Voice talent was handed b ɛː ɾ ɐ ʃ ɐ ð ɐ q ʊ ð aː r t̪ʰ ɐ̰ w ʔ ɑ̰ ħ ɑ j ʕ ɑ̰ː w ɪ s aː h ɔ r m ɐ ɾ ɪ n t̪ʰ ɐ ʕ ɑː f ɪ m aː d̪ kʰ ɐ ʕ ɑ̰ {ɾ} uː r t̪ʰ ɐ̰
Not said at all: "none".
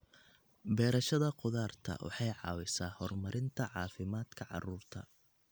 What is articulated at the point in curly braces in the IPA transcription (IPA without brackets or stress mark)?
r